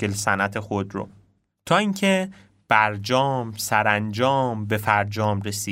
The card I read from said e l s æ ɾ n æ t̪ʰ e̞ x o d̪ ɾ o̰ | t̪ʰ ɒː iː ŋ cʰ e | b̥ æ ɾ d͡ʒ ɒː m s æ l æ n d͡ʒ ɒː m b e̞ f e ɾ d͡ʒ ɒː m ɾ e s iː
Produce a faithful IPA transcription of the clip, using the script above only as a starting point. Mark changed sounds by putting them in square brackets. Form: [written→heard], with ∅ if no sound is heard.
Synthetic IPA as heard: e l s æ [ɾ→∅] n æ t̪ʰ e̞ x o d̪ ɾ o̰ | t̪ʰ ɒː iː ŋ cʰ e | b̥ æ ɾ d͡ʒ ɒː m s æ [l→ɾ] æ n d͡ʒ ɒː m b e̞ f [e→æ] ɾ d͡ʒ ɒː m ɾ e s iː